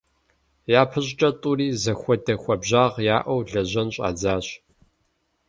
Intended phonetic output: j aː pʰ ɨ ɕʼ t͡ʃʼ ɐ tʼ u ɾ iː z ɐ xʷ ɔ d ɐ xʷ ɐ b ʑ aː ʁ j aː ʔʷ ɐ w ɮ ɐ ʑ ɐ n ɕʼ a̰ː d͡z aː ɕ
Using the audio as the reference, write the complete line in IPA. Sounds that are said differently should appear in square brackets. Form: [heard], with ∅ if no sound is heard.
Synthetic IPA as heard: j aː pʰ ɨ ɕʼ t͡ʃʼ ɐ tʼ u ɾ iː z ɐ xʷ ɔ d ɐ xʷ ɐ b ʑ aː ʁ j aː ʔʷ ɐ w ɮ ɐ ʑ ɐ n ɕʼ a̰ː d͡z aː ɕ